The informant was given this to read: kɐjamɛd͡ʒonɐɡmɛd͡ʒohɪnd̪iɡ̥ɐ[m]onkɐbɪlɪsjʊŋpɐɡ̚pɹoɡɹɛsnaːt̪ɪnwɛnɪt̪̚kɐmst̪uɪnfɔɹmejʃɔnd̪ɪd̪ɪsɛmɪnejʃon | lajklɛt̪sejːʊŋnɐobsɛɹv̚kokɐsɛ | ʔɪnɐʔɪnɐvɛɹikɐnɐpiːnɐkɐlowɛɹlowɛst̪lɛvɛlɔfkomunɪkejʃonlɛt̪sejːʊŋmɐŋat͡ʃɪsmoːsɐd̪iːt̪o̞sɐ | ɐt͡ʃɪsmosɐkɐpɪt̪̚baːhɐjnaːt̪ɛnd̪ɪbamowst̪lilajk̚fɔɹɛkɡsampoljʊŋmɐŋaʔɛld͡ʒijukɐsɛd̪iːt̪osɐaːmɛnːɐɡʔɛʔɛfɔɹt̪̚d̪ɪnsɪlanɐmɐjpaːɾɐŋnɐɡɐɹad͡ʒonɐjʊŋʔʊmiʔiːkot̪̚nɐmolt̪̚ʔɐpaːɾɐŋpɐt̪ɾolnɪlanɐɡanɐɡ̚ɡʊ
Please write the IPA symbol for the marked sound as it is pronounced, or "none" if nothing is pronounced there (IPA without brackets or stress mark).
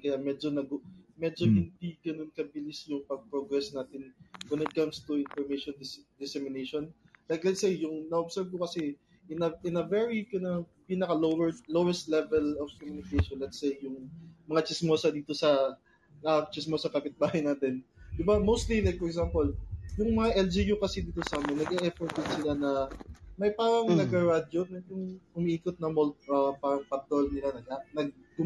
n